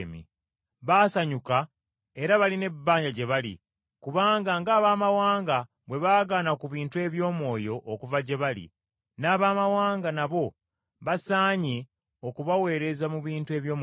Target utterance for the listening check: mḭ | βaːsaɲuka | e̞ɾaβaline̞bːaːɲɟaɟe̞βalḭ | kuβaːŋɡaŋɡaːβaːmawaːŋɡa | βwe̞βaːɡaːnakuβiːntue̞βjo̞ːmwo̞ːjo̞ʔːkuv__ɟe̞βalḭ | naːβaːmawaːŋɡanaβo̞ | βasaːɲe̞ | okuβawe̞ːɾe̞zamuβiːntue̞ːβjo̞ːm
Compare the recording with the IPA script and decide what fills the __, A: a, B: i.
A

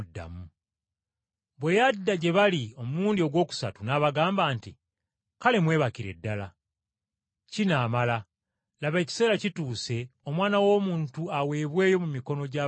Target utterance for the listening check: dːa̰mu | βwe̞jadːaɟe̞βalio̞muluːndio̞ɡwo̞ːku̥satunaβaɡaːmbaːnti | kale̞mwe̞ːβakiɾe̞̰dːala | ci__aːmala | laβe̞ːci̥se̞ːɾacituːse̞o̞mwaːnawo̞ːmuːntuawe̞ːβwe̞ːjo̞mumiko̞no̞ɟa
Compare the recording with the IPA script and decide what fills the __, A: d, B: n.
B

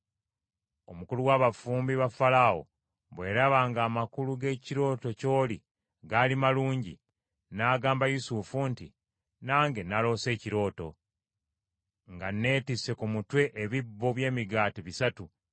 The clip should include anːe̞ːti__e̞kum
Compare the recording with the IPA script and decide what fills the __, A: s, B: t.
A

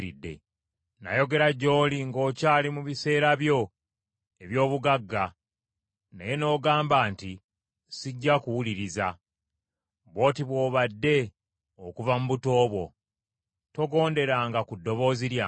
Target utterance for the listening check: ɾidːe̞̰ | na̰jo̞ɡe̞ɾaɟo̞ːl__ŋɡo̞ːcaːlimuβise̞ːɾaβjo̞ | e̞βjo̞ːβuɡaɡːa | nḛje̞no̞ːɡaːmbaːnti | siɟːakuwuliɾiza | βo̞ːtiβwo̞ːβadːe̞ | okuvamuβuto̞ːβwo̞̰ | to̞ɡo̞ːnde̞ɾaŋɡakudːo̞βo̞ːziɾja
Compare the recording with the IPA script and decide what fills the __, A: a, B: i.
B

